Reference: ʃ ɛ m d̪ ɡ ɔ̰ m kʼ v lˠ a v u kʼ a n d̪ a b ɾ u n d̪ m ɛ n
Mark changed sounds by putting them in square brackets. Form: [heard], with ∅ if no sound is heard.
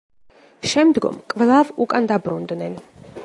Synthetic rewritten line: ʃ ɛ m d̪ ɡ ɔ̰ m kʼ v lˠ a v u kʼ a n d̪ a b ɾ u n d̪ [n] ɛ n